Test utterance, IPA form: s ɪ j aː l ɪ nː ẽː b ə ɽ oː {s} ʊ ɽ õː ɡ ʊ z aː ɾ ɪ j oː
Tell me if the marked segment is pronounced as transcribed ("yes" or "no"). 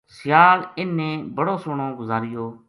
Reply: yes